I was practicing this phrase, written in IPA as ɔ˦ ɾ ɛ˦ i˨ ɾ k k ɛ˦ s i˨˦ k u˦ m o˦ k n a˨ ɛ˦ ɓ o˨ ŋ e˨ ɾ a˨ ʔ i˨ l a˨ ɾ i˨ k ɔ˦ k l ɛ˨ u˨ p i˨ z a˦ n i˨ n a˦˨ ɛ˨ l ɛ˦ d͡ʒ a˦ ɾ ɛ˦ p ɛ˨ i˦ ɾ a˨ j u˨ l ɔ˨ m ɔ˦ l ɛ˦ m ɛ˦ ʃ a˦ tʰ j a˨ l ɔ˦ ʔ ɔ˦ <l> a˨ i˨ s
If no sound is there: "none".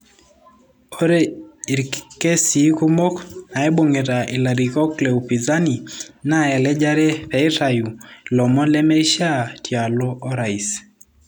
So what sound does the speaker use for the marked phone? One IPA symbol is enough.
ɾ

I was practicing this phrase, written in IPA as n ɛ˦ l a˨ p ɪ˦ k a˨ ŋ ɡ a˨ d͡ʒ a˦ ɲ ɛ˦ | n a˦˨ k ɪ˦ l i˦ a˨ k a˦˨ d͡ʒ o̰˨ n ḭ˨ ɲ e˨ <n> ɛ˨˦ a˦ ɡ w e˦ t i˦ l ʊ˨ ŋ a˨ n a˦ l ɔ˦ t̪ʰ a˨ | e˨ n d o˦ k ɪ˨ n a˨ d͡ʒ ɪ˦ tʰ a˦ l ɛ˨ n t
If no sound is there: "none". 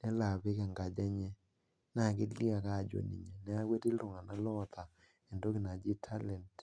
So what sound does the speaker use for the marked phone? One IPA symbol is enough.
n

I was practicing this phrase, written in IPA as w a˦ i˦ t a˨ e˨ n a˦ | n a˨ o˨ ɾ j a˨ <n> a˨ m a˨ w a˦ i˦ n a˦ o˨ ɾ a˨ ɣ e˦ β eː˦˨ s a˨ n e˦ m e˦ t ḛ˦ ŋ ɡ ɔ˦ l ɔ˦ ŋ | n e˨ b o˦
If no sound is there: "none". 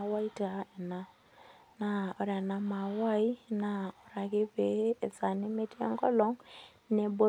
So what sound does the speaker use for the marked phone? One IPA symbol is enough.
n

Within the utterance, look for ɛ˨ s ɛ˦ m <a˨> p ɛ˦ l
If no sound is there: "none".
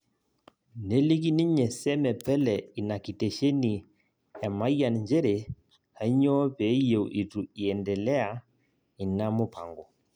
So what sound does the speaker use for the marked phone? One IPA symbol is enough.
ɛ˨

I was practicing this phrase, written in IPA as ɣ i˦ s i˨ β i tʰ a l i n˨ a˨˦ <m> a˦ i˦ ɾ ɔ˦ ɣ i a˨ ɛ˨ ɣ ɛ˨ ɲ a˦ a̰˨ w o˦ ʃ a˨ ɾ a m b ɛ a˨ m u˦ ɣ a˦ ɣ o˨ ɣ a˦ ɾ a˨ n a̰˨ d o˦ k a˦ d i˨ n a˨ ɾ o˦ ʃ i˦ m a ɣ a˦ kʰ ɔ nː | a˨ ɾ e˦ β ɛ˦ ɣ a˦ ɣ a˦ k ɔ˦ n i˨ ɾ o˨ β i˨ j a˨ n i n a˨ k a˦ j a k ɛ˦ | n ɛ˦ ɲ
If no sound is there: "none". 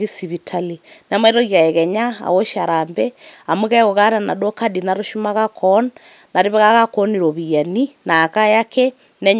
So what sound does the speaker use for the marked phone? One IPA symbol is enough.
m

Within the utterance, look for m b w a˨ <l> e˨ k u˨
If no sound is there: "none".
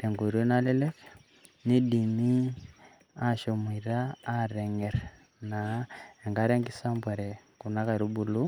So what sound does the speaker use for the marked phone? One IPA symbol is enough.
ɾ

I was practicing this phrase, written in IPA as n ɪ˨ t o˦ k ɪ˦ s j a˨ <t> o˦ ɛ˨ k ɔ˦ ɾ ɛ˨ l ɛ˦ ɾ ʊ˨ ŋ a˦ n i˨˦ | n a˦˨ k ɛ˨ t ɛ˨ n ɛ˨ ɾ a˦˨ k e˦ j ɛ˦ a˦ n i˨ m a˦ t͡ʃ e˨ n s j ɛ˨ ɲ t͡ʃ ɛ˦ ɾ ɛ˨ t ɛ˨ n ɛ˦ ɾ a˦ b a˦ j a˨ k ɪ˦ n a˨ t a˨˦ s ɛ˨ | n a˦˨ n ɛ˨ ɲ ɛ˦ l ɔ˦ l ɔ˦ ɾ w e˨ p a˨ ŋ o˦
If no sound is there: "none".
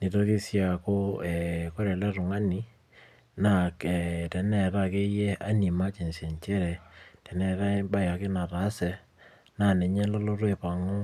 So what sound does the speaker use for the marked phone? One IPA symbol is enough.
k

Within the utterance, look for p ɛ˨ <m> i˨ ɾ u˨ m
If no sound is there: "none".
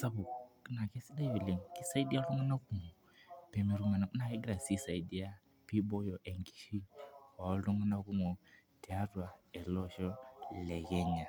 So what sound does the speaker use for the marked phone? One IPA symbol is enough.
m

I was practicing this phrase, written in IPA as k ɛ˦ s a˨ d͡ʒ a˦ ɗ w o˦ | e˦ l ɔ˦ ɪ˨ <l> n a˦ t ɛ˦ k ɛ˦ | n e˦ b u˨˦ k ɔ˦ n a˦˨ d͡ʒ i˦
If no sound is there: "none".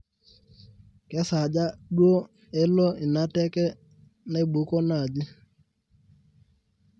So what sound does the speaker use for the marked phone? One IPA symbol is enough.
none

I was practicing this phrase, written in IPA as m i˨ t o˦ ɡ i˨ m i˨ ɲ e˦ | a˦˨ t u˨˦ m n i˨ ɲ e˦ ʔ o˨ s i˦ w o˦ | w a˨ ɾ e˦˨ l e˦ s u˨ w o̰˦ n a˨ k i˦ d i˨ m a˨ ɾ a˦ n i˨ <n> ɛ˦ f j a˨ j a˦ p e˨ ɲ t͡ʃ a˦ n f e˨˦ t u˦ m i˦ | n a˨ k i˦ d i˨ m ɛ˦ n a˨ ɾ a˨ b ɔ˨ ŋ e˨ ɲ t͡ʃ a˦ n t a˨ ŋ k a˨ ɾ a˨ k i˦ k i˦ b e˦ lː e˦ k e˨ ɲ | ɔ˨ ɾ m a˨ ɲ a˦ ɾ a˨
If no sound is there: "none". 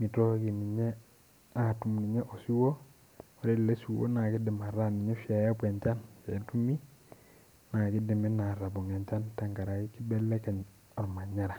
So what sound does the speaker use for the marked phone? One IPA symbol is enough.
ɲ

